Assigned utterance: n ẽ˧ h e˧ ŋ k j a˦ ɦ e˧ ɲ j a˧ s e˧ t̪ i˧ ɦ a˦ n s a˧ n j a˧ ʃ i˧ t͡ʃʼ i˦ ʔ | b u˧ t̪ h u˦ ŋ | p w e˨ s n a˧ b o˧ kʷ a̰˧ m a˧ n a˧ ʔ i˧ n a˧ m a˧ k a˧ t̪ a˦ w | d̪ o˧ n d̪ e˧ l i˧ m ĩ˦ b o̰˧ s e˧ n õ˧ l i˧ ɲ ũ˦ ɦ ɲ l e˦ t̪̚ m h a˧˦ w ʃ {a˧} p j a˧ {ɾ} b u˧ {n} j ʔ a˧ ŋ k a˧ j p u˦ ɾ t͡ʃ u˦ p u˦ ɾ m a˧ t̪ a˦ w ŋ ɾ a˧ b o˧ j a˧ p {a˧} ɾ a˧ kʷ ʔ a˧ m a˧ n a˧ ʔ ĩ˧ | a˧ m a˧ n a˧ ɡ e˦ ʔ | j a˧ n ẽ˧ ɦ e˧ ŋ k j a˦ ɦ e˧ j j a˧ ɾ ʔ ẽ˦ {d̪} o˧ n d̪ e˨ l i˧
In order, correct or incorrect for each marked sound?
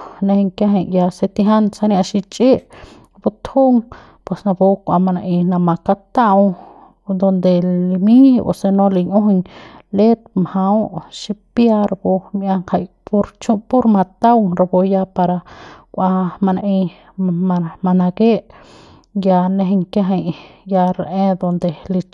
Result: incorrect: i˧, correct, incorrect: m, correct, correct

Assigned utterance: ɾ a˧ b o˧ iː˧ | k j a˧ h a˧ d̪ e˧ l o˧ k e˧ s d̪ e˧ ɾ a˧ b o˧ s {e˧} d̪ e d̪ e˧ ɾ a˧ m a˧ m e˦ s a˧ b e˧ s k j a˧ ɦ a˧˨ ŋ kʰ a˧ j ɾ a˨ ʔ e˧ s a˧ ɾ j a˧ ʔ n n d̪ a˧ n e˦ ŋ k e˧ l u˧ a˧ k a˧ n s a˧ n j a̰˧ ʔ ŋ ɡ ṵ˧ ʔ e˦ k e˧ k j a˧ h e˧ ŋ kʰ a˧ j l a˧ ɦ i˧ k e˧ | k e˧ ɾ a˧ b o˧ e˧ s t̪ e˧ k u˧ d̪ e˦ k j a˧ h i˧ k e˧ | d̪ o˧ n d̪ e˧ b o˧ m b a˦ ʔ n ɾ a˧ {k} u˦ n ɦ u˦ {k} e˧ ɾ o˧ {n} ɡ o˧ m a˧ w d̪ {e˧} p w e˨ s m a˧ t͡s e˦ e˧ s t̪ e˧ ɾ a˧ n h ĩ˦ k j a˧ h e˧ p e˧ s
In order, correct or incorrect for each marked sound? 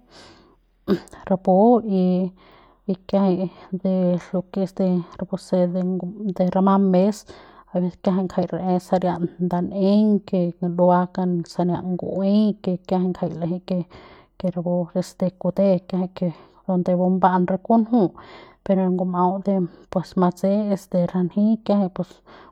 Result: correct, correct, incorrect: p, incorrect: ŋ, correct

